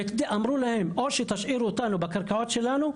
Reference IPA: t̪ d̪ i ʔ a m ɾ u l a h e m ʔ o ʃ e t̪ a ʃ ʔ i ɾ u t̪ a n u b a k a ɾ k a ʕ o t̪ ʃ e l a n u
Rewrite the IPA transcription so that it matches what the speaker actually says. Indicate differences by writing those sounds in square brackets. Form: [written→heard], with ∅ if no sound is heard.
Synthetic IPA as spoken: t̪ d̪ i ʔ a m ɾ u l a h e m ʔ o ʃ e t̪ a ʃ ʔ i ɾ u t̪ a n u b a k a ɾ k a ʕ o t̪ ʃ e l a n u

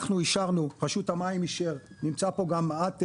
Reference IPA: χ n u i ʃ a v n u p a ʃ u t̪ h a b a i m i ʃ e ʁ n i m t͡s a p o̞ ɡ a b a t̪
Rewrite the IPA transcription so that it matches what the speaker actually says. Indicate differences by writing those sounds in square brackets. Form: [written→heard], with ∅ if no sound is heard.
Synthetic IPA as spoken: χ n u i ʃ a [v→ʁ] n u p a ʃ u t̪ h a [b→m] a i m i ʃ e ʁ n i m t͡s a p o̞ ɡ a [b→m] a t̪

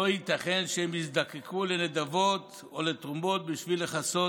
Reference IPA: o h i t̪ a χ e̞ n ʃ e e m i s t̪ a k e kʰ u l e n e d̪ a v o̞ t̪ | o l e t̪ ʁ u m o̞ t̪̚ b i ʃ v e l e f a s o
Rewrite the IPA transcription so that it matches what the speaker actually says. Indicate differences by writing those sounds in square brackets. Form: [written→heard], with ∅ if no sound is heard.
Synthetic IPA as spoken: o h i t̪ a χ e̞ n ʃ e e m i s [t̪→d̪] a k e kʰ u l e n e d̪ a v o̞ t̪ | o l e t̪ ʁ u m o̞ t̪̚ b i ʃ v [e→i] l e [f→χ] a s o

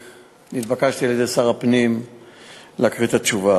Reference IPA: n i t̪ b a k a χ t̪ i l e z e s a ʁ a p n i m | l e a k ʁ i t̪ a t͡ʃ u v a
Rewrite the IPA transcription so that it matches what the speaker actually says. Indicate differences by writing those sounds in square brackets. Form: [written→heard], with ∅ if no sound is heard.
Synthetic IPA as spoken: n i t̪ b a k a [χ→ʃ] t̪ i l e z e s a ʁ a p n i m | l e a k ʁ i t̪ a t͡ʃ u v a

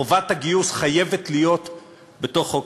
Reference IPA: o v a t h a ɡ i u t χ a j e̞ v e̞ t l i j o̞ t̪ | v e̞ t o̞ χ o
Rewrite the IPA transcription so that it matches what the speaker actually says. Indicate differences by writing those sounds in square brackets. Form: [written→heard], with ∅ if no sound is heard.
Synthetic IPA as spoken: o v a t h a ɡ i u [t→s] χ a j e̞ v e̞ t l i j o̞ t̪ | [v→b] e̞ t o̞ χ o

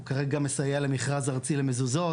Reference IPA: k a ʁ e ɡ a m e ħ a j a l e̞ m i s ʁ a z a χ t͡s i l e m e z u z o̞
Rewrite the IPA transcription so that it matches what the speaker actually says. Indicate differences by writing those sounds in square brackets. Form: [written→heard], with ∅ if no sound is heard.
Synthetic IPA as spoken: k a ʁ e ɡ a m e [ħ→s] a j a l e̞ m i [s→χ] ʁ a z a [χ→ʁ] t͡s i l e m e z u z o̞

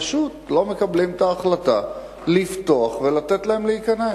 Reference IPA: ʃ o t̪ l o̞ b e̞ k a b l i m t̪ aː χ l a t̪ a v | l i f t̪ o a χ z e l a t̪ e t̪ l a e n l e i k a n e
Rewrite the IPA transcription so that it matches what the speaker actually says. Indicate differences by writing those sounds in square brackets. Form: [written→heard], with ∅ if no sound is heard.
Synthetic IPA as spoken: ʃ [o→u] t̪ l o̞ [b→m] e̞ k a b l i m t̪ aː χ l a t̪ a [v→∅] | l i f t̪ o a χ [z→v] e l a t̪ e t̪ l a e [n→m] l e i k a n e

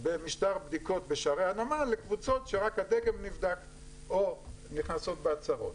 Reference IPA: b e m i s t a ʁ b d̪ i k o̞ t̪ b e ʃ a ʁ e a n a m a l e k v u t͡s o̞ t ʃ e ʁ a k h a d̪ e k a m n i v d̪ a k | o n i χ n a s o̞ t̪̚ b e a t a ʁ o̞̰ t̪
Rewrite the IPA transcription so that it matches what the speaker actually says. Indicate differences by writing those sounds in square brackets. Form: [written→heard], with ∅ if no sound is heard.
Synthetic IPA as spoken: b e m i [s→ʃ] t a ʁ b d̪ i k o̞ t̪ b e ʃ a ʁ e a n a m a l e k v u t͡s o̞ t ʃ e ʁ a k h a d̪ e k [a→e] m n i v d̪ a k | o n i χ n a s o̞ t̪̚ b e a [t→t͡s] a ʁ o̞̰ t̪

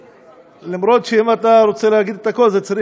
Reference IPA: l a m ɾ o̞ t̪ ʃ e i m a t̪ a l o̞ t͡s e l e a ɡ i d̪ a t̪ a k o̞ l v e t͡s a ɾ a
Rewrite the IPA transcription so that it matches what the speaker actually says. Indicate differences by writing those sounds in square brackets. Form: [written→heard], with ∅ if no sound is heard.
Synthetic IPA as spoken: l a m ɾ o̞ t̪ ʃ e i m a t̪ a [l→ɾ] o̞ t͡s e l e a ɡ i d̪ [a→e] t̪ a k o̞ l [v→z] e t͡s a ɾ [a→i]

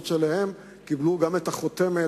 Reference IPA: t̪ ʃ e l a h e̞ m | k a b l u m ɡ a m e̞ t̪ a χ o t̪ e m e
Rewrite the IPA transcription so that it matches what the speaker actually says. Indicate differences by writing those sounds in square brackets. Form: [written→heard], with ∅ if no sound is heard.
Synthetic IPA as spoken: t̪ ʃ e l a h e̞ m | k [a→i] b l u [m→∅] ɡ a m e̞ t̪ a χ o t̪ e m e

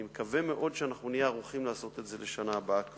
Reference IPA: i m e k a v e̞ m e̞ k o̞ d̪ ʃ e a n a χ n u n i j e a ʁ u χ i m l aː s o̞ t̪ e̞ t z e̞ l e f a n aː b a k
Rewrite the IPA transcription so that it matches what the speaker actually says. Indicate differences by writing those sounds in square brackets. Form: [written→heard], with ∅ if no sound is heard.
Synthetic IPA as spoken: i m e k a v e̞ m e̞ [k→ʔ] o̞ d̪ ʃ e a n a χ n u n i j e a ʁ u χ i m l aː s o̞ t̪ e̞ t z e̞ l e [f→ʃ] a n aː b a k

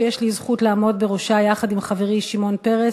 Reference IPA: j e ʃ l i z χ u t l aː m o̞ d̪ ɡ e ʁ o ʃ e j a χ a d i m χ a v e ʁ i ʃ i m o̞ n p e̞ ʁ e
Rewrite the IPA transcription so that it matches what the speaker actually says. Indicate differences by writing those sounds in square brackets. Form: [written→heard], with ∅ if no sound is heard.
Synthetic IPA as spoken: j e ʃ l i z χ u t l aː m o̞ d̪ [ɡ→b] e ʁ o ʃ [e→a] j a χ a d i m χ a v e ʁ i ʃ i m o̞ n p e̞ ʁ e

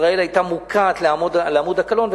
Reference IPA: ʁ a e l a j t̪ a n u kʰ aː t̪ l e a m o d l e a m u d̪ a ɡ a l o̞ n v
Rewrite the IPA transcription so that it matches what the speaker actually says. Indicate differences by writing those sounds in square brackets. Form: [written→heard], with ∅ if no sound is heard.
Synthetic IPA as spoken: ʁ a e l a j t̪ a [n→m] u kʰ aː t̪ l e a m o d l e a m u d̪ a [ɡ→k] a l o̞ n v

